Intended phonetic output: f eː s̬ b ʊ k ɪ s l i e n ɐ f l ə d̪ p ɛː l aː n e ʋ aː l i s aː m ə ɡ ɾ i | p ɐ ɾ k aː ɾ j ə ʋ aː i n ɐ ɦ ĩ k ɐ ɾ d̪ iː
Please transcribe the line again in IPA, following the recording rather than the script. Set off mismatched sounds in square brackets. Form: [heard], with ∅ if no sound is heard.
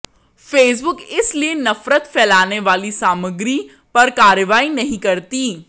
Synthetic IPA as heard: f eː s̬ b ʊ k ɪ s l i e n ɐ f [ɾ] ə [t̪] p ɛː l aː n e ʋ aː l i s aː m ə ɡ ɾ i | p ɐ ɾ k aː ɾ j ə ʋ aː i n ɐ ɦ ĩ k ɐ ɾ [t̪] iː

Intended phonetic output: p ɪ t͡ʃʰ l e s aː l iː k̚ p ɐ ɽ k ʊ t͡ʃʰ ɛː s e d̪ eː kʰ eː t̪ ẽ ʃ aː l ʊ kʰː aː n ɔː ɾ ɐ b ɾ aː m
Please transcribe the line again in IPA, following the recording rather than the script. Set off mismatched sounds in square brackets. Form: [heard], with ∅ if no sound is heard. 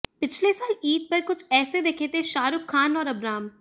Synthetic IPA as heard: p ɪ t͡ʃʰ l e s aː l iː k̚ p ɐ [ɾ] k ʊ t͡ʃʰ ɛː s e d̪ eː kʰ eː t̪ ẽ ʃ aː [ɾ] ʊ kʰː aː n ɔː ɾ ɐ b ɾ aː m

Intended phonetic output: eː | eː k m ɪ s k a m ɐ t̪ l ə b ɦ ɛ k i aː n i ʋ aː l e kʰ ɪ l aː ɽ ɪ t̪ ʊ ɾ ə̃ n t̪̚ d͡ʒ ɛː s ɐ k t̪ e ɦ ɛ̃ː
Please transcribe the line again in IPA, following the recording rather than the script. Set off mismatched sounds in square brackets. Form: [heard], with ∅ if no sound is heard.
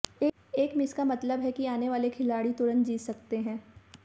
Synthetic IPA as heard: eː | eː k m ɪ s k a m ɐ t̪ l ə b ɦ ɛ k i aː n [e] ʋ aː l e kʰ ɪ l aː ɽ [i] t̪ ʊ ɾ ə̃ n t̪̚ d͡ʒ [iː] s ɐ k t̪ e ɦ ɛ̃ː

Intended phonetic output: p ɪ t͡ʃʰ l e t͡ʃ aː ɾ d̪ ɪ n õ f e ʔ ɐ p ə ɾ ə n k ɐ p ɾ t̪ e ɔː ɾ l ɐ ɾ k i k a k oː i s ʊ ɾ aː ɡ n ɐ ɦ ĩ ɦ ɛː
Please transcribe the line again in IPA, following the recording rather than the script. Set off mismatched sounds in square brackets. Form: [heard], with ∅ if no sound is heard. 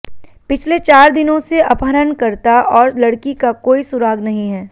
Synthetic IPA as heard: p ɪ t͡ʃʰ l e t͡ʃ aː ɾ d̪ ɪ n õ [s] e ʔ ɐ p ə ɾ ə n k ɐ [∅] ɾ t̪ [a] ɔː ɾ l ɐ [ɽ] k i k a k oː i s ʊ ɾ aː ɡ n ɐ ɦ ĩ ɦ ɛː

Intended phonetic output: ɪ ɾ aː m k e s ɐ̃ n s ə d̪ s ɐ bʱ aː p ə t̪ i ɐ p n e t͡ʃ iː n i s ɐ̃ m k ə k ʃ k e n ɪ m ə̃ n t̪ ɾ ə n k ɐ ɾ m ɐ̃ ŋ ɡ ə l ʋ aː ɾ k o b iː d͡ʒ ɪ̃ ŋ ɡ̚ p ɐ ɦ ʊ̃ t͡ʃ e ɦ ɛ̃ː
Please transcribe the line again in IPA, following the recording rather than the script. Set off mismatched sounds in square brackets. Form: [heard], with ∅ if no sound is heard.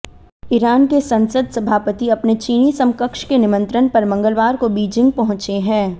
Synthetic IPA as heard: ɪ ɾ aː [n] k e s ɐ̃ n s ə d̪ s ɐ bʱ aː p ə t̪ i ɐ p n e t͡ʃ iː n i s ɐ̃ m k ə k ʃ k e n ɪ m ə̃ n t̪ ɾ ə n [p] ɐ ɾ m ɐ̃ ŋ ɡ ə l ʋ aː ɾ k o b iː d͡ʒ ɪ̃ ŋ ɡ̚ p ɐ ɦ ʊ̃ t͡ʃ e ɦ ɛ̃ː

